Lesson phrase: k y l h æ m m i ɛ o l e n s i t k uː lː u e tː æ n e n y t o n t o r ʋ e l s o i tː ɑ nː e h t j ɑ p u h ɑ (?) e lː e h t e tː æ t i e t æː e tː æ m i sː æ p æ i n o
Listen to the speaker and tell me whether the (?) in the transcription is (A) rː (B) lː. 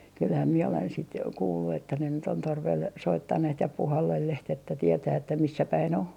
B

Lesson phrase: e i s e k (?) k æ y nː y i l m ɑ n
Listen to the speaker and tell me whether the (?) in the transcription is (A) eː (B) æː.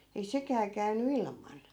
B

